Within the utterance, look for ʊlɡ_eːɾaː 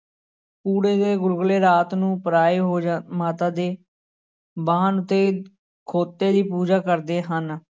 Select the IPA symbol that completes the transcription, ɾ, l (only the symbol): l